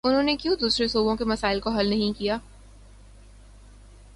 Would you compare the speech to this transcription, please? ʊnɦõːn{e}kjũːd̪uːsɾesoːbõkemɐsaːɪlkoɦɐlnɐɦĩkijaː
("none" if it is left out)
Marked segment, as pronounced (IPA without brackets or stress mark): e